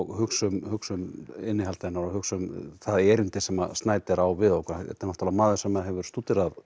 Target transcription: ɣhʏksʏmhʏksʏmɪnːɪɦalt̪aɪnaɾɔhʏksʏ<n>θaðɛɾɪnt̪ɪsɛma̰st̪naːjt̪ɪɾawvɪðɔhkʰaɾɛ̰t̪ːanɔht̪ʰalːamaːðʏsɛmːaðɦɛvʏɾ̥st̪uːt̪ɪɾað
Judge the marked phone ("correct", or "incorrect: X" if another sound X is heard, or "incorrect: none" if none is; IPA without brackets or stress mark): incorrect: m